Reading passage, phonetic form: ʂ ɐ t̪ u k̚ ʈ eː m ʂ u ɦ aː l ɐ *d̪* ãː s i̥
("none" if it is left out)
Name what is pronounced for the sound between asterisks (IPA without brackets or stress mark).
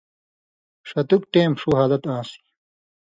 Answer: t̪